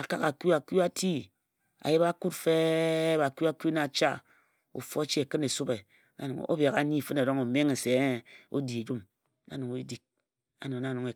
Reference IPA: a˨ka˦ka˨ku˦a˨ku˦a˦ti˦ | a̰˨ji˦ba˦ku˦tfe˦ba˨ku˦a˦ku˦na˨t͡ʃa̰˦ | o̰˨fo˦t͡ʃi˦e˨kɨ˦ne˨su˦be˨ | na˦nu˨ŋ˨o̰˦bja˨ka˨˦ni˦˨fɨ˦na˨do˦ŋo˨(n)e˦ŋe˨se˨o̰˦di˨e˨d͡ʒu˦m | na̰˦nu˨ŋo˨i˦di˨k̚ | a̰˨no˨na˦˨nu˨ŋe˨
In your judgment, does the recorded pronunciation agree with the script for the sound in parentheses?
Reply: no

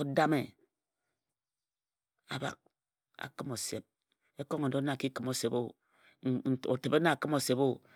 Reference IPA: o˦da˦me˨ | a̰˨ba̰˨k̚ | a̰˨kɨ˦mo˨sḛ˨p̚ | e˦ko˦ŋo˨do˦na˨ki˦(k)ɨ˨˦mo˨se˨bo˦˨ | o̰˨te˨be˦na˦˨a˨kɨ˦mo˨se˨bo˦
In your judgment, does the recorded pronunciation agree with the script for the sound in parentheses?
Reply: yes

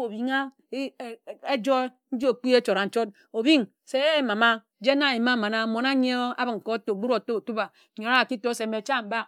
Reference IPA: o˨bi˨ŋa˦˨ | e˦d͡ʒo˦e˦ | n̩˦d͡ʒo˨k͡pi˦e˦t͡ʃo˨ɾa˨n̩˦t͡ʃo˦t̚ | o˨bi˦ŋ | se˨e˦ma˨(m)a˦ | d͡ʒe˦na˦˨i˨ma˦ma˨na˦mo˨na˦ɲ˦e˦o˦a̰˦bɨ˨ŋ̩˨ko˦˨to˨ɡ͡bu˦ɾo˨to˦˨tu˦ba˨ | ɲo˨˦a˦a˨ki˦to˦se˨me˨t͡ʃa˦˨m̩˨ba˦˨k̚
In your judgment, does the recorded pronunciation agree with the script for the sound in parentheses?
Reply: yes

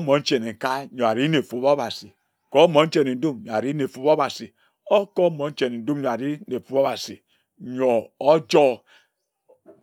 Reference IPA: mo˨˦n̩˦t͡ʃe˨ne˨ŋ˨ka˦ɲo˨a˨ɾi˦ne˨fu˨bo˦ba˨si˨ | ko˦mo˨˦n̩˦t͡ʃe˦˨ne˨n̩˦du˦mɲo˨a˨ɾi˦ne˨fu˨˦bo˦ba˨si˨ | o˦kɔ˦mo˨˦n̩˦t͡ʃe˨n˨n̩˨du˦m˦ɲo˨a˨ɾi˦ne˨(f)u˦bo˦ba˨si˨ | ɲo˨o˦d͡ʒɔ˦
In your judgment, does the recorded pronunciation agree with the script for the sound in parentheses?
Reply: yes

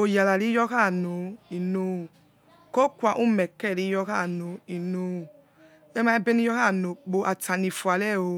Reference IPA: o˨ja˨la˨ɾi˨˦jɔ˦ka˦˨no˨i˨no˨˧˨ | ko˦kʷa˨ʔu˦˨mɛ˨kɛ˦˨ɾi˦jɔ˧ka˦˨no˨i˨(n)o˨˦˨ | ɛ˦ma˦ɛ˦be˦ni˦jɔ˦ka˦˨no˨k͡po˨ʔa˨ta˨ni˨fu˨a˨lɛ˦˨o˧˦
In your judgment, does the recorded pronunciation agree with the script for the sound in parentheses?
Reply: yes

